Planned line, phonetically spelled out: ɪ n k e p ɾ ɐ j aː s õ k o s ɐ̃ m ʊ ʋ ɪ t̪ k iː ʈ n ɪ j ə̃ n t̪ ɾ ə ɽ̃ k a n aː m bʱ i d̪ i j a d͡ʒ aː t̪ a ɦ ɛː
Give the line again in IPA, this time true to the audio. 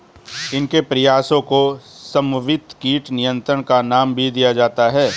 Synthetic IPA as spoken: ɪ n k e p ɾ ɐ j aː s õ k o s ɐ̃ m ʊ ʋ ɪ t̪ k iː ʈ n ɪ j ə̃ n t̪ ɾ ə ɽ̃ k a n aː m bʱ i d̪ i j a d͡ʒ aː t̪ a ɦ ɛː

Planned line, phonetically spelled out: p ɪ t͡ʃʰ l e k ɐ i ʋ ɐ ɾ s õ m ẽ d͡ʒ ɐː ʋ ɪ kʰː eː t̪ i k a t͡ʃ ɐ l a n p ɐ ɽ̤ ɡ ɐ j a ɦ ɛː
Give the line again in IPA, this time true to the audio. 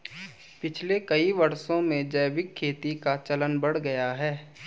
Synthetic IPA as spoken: p ɪ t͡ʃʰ l e k ɐ i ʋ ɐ ɾ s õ m ẽ d͡ʒ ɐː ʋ ɪ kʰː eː t̪ i k a t͡ʃ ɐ l ə n b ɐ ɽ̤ ɡ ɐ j a ɦ ɛː

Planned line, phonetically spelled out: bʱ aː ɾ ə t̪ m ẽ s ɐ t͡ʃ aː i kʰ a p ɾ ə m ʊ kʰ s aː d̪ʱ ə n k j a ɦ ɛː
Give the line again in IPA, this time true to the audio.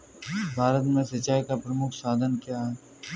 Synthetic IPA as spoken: bʱ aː ɾ ə t̪ m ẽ s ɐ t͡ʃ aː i k a p ɾ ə m ʊ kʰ s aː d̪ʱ ə n k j a ɦ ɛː

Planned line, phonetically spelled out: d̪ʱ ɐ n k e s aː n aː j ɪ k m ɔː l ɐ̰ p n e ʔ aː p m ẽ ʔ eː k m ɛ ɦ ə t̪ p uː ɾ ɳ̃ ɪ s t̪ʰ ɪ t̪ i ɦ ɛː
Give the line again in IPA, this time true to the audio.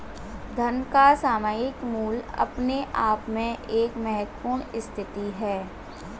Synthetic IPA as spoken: d̪ʱ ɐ n k a s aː m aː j ɪ k m uː l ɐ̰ p n e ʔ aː p m ẽ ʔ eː k m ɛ ɦ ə t̪ p uː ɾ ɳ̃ ɪ s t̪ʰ ɪ t̪ i ɦ ɛː

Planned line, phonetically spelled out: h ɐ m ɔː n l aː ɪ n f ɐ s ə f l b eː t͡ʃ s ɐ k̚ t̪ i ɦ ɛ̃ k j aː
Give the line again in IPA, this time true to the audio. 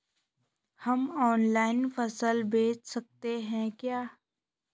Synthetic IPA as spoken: h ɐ m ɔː n l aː ɪ n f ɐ s ə l b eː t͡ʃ s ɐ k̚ t̪ e ɦ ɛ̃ k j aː

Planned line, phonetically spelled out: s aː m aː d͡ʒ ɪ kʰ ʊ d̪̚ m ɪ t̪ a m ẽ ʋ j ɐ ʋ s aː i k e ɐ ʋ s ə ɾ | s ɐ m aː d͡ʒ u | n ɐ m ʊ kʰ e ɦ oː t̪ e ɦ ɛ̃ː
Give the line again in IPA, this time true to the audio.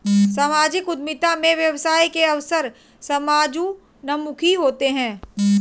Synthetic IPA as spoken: s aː m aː d͡ʒ ɪ k ʊ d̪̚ m ɪ t̪ a m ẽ ʋ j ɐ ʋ s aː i k e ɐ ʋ s ə ɾ | s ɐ m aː d͡ʒ u | n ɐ m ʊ kʰ i ɦ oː t̪ e ɦ ɛ̃ː

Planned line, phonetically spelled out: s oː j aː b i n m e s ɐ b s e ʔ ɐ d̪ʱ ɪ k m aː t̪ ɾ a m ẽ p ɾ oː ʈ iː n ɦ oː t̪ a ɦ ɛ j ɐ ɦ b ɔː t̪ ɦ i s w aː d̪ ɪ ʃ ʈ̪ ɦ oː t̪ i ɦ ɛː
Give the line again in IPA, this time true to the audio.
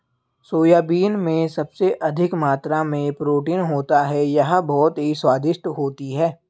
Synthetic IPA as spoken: s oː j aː b iː n m ẽ s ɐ b s e ʔ ɐ d̪ʱ ɪ k m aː t̪ ɾ a m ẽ p ɾ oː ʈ iː n ɦ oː t̪ a ɦ ɛ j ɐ ɦ b ɔː t̪ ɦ i s w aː d̪ ɪ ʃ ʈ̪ ɦ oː t̪ i ɦ ɛː

